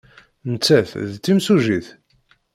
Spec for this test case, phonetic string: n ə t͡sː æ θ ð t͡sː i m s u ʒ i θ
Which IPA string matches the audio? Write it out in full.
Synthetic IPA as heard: n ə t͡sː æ θ ð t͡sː i m s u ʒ i θ